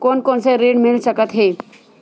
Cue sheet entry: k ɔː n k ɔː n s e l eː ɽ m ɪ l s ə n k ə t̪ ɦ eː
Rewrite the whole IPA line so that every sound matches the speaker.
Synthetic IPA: k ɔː n k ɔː n s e ɾ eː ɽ m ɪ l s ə k ə t̪ ɦ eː